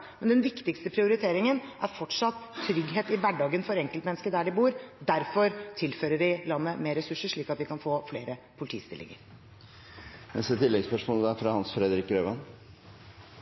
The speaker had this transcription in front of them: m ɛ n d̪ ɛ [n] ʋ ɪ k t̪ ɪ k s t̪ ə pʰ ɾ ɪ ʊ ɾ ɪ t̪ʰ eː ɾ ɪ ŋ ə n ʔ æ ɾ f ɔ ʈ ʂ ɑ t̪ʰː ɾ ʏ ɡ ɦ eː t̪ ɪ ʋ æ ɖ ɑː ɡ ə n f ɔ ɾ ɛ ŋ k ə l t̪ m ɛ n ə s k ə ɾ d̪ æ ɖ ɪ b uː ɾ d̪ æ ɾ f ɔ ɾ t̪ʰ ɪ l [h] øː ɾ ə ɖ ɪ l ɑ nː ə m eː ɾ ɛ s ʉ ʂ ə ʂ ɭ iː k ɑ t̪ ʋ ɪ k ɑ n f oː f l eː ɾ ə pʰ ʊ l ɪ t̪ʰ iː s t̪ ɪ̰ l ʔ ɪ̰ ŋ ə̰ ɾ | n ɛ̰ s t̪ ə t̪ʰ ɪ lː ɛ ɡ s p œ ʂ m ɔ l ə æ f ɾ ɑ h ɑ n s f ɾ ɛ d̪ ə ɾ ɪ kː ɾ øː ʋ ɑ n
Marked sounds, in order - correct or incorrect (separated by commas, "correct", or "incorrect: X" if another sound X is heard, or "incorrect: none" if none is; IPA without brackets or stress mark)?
correct, incorrect: f